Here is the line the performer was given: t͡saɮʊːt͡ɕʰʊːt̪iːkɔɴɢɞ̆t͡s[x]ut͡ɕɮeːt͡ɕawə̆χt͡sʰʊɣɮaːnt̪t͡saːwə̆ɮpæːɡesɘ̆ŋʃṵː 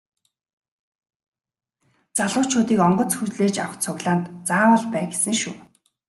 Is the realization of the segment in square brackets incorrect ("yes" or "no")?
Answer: no